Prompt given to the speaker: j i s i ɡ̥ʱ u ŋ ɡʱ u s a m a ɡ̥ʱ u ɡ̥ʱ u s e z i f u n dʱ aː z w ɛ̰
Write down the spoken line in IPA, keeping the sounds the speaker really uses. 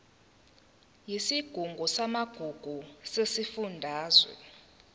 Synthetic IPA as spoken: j i s i ɡ̥ʱ u ŋ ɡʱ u s a m a ɡ̥ʱ u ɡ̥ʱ u s e s i f u n dʱ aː z w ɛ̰